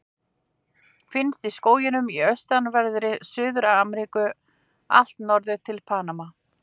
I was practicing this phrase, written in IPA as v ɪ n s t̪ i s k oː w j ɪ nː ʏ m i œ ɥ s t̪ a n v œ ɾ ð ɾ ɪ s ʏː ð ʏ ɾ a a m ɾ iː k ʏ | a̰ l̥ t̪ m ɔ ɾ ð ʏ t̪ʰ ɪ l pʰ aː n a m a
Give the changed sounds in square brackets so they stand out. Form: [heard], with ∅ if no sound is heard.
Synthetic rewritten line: [f] ɪ n s t̪ i s k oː w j ɪ [n] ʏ m i œ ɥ s t̪ a n v [ɛ] ɾ ð ɾ ɪ s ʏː ð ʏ ɾ a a m ɾ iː k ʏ | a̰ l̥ t̪ [n] ɔ ɾ ð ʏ t̪ʰ ɪ l pʰ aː n a m a